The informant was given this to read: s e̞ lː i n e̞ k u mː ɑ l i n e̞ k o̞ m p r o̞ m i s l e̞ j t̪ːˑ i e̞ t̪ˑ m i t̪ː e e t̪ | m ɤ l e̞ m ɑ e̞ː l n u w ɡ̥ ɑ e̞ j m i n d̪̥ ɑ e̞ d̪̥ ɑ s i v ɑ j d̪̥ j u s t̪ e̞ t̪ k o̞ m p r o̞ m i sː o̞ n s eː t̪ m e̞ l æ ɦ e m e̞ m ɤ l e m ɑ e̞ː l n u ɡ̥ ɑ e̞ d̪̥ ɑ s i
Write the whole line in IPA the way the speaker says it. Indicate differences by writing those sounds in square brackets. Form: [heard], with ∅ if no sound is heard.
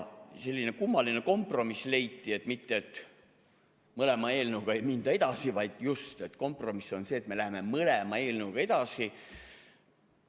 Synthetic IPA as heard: s e̞ lː i n e̞ k u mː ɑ l i n e̞ k o̞ m p r o̞ m i s l e̞ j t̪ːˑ i e̞ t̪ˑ m i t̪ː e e t̪ | m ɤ l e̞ m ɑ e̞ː l n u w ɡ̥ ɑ e̞ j m i n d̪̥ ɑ e̞ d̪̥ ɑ s i v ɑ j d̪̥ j u s t̪ e̞ t̪ k o̞ m p r o̞ m i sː o̞ n s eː t̪ m e̞ l æ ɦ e m e̞ m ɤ l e m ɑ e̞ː l n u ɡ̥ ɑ e̞ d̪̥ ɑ s i

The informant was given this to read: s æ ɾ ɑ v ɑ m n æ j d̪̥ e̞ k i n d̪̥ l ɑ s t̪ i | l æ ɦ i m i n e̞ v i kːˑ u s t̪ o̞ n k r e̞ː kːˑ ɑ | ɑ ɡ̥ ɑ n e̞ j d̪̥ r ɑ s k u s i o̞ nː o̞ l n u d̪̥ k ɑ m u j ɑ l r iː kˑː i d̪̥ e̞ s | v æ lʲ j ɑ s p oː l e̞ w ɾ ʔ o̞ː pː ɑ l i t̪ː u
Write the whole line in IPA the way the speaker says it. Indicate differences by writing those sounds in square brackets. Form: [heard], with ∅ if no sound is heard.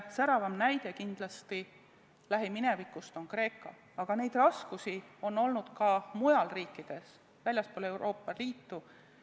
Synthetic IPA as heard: s æ ɾ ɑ v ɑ m n æ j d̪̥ e̞ k i n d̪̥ l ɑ s t̪ i | l æ ɦ i m i n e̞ v i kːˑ u s t̪ o̞ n k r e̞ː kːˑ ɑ | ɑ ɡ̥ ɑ n e̞ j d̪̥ r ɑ s k u s i o̞ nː o̞ l n u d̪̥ k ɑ m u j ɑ l r iː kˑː i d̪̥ e̞ s | v æ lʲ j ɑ s p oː l e̞ w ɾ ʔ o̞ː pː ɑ l [iː] t̪ː u

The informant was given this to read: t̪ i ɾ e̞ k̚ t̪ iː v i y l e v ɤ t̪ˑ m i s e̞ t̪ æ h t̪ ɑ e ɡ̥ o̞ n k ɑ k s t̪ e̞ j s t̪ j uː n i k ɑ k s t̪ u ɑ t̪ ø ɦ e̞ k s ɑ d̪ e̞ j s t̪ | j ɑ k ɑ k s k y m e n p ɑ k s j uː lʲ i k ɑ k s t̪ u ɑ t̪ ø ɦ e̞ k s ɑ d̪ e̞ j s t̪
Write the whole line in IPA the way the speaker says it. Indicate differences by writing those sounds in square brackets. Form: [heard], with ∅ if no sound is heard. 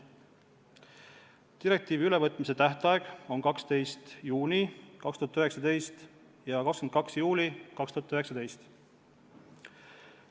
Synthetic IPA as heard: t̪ i ɾ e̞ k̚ t̪ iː v i y l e v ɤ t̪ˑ m i s e̞ t̪ æ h t̪ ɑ e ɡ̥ o̞ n k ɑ k s t̪ e̞ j s t̪ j uː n i k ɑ k s t̪ u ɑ t̪ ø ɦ e̞ k s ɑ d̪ e̞ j s t̪ | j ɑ k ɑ k s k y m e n [k] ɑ k s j uː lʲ i k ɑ k s t̪ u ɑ t̪ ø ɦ e̞ k s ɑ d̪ e̞ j s t̪

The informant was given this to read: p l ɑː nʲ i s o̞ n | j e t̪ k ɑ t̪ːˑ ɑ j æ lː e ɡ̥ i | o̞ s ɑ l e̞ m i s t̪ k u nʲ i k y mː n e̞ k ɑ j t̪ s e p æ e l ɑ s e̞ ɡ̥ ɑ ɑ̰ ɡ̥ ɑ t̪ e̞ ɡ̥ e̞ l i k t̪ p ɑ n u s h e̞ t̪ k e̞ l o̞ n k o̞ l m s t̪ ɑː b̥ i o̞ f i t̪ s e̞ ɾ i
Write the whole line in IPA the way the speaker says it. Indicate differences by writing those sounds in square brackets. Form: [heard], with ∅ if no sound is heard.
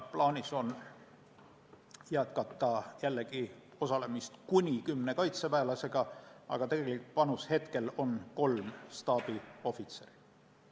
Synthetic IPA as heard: p l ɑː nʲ i s o̞ n | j [æ] t̪ k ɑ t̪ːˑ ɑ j æ lː e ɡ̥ i | o̞ s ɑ l e̞ m i s t̪ k u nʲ i k y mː n e̞ k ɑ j t̪ s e p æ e l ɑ s e̞ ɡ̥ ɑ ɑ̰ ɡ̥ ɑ t̪ e̞ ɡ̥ e̞ l i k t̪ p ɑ n u s h e̞ t̪ k e̞ l o̞ n k o̞ l m s t̪ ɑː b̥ i o̞ f i t̪ s e̞ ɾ i

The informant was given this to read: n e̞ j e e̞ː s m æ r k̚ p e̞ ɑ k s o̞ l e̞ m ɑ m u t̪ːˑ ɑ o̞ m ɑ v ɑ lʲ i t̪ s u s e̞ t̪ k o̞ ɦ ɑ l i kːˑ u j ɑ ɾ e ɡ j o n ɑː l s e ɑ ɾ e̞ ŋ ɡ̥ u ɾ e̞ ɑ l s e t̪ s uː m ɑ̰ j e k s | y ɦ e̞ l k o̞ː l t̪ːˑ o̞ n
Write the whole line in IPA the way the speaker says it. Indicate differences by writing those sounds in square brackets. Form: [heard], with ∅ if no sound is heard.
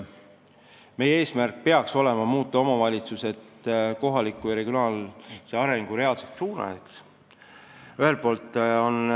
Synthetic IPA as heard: [m] e̞ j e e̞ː s m æ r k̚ p e̞ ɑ k s o̞ l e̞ m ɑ m [uː] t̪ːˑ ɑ o̞ m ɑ v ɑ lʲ i t̪ s u s e̞ t̪ k o̞ ɦ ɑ l i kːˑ u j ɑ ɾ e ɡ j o n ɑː l s e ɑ ɾ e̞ ŋ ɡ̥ u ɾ e̞ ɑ l s e t̪ s uː [n] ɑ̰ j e k s | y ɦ e̞ l [p] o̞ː l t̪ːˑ o̞ n

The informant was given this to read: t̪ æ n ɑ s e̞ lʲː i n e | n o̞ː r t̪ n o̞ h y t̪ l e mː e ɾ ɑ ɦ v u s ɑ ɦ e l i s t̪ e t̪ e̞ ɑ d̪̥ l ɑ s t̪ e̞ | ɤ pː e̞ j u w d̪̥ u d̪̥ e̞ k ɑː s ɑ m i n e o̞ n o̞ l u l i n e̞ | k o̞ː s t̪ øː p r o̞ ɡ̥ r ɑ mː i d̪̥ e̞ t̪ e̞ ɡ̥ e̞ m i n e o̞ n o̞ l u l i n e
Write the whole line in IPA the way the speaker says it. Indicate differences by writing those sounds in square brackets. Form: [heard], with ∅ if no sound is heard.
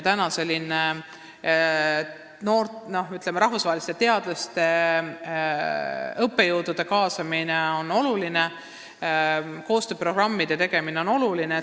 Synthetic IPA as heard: t̪ æ n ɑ s e̞ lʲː i n e | n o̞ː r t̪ n o̞ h y t̪ l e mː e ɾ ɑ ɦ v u s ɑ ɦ e l i s t̪ e t̪ e̞ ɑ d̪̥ l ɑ s t̪ e̞ | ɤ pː e̞ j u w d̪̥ u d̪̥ e̞ k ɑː s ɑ m i n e o̞ n o̞ l u l i n e̞ | k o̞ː s t̪ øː p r o̞ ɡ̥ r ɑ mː i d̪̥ e̞ t̪ e̞ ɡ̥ e̞ m i n e o̞ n o̞ l u l i n e

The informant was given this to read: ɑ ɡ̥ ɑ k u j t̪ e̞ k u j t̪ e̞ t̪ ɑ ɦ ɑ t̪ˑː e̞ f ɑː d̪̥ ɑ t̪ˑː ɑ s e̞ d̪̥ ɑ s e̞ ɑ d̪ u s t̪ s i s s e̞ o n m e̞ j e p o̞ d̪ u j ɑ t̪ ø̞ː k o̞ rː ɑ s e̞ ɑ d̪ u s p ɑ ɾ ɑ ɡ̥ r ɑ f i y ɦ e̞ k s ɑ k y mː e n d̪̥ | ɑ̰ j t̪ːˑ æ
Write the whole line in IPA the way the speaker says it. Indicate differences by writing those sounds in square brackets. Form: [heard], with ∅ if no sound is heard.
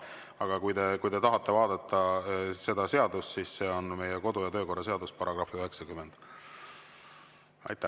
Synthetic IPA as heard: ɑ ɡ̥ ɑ k u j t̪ e̞ k u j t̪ e̞ t̪ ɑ ɦ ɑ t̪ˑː e̞ [v] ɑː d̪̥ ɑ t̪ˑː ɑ s e̞ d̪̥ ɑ s e̞ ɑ d̪ u s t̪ s i s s e̞ o n m e̞ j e [k] o̞ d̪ u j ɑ t̪ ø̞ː k o̞ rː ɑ s e̞ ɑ d̪ u s p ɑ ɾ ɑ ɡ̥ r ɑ f i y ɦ e̞ k s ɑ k y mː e n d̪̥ | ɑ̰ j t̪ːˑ æ

